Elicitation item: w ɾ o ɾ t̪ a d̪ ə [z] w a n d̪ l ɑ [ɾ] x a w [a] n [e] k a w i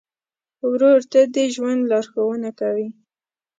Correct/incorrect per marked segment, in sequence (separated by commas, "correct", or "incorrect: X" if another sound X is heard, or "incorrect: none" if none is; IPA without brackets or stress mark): incorrect: ʒ, correct, incorrect: ə, incorrect: a